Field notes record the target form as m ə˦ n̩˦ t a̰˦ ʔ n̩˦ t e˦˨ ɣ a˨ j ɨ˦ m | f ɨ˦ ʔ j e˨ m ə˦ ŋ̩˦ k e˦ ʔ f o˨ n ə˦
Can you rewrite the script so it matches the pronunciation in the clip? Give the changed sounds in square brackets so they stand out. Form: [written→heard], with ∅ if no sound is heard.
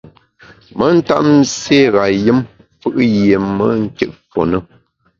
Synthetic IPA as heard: m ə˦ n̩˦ t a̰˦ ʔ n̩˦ [t→s] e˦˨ ɣ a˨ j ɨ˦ m | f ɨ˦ ʔ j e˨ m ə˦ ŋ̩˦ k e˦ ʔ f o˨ n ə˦